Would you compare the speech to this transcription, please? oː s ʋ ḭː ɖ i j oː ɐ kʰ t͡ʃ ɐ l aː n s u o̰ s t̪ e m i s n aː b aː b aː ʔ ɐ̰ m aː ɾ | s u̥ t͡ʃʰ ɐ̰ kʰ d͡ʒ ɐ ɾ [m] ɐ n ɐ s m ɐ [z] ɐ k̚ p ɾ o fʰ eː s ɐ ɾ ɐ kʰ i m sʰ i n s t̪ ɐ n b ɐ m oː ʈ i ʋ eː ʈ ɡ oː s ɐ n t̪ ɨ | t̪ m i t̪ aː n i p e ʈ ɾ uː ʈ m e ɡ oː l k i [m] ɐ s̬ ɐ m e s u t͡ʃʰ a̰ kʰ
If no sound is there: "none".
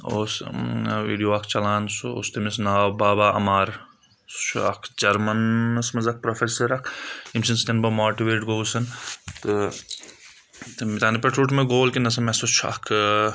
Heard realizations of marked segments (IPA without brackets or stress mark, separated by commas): m, z, n